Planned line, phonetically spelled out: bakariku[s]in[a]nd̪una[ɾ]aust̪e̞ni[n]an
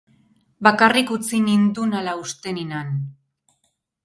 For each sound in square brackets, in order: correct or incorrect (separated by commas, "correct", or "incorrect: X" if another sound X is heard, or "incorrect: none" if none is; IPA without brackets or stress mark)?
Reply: incorrect: t͡s, incorrect: i, incorrect: l, correct